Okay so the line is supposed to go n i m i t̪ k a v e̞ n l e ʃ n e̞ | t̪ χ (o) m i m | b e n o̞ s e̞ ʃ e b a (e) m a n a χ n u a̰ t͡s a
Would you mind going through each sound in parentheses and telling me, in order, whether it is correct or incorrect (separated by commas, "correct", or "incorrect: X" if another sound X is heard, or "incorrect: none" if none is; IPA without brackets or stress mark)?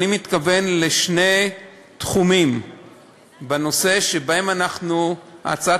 incorrect: u, correct